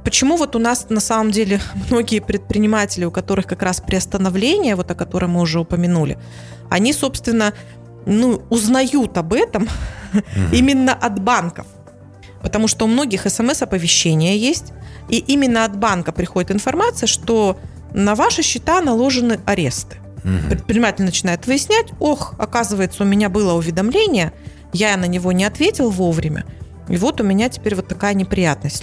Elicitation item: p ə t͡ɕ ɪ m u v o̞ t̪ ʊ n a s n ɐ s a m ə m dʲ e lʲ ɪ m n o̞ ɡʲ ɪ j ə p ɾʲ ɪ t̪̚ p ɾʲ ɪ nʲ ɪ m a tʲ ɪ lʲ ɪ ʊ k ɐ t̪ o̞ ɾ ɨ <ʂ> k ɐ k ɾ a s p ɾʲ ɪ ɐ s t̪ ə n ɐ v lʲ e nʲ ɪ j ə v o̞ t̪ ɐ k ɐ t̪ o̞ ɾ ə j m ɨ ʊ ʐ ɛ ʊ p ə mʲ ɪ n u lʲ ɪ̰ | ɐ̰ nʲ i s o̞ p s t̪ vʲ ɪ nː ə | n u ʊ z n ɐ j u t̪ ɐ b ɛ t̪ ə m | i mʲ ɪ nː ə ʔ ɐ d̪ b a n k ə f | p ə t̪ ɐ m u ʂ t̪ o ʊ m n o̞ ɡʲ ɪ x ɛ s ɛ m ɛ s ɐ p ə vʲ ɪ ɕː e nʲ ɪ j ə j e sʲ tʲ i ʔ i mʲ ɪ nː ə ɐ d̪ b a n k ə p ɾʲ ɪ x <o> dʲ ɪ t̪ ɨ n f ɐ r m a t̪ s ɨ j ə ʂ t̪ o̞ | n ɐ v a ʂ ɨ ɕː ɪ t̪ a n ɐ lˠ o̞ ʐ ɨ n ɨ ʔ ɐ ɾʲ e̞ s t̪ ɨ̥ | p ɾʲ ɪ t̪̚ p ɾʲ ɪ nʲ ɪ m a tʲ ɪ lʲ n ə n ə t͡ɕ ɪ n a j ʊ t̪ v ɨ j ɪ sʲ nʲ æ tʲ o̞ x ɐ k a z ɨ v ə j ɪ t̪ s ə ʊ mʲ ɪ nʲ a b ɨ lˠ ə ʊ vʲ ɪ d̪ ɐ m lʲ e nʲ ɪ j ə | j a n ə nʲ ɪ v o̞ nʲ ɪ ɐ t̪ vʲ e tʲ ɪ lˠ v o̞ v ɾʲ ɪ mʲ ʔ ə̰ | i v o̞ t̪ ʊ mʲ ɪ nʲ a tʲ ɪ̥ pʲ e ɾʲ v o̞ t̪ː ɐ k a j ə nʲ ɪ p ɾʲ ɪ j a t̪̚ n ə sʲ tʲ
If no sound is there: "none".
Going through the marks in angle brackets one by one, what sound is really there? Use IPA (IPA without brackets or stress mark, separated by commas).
x, o